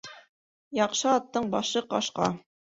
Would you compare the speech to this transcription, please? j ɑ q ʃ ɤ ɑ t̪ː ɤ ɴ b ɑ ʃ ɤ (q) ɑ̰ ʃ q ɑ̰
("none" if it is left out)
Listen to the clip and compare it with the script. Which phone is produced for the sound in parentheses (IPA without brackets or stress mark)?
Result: q